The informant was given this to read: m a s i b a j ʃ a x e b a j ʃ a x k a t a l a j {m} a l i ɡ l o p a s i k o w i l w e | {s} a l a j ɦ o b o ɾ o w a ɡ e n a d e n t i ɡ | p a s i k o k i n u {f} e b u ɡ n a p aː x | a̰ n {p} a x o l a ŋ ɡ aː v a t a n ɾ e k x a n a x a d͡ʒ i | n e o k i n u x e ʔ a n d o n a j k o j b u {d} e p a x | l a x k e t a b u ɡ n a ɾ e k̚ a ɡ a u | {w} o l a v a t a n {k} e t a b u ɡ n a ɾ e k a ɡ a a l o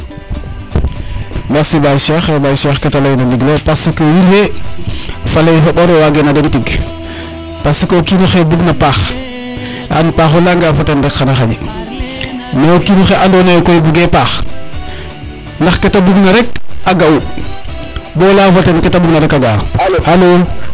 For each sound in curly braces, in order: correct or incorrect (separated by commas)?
incorrect, incorrect, incorrect, correct, incorrect, incorrect, correct